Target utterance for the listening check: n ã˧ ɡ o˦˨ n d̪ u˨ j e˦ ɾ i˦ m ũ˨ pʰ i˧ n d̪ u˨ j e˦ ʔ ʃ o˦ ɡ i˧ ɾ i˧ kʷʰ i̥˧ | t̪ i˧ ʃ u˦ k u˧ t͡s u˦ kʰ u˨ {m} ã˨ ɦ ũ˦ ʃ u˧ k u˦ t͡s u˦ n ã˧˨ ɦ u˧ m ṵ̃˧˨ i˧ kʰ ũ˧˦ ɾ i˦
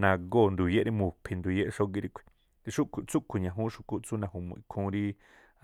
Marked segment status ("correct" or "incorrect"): incorrect